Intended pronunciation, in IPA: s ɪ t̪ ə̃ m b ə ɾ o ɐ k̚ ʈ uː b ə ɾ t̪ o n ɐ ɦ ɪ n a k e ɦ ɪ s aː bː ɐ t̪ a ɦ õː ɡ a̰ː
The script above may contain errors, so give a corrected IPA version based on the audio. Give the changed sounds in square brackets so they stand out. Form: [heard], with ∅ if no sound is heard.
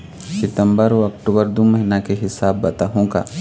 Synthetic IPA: s ɪ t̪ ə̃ m b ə ɾ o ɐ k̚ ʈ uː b ə ɾ [d̪] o [m] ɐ ɦ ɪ n a k e ɦ ɪ s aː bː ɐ t̪ a ɦ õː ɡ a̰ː